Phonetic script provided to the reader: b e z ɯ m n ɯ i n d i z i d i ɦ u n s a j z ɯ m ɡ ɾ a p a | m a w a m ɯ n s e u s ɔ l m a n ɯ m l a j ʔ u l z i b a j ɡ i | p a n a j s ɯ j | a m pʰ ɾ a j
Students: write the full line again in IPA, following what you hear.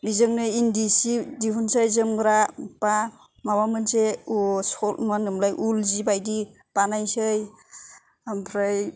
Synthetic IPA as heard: b i z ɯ ŋ n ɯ i n d i s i d i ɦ u n s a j z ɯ m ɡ ɾ a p a | m a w a m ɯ n s e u s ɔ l m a n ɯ m l a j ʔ u l z i b a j d i | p a n a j s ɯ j | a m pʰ ɾ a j